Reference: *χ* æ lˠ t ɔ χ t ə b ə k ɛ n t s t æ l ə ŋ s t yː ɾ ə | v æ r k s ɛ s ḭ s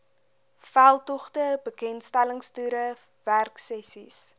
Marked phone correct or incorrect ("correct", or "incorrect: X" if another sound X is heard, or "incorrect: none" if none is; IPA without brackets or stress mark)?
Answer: incorrect: f